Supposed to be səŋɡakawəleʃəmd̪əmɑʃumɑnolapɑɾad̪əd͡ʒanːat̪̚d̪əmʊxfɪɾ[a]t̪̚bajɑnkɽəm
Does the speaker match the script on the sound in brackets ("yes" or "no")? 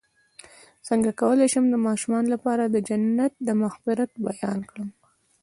yes